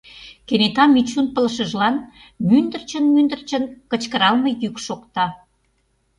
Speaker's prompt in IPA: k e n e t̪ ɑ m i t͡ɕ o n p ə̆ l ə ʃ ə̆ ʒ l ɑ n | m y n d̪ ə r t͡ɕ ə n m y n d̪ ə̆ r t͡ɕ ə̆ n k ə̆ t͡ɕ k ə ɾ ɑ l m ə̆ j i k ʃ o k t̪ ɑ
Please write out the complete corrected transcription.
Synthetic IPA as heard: k e n e t̪ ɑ m i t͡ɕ u n p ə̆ l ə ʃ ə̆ ʒ l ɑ n | m y n d̪ ə r t͡ɕ ə n m y n d̪ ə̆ r t͡ɕ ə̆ n k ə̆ t͡ɕ k ə ɾ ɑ l m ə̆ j y k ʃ o k t̪ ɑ